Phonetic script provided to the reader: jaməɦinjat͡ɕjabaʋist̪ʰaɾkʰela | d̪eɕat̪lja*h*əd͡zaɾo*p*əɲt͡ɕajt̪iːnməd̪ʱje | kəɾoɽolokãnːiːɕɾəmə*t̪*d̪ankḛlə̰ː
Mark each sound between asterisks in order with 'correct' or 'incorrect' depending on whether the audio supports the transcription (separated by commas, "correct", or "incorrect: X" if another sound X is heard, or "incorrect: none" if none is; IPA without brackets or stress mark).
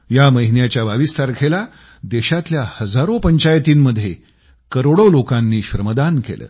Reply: correct, correct, incorrect: none